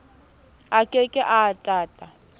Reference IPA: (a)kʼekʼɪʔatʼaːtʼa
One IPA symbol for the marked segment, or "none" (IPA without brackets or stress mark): a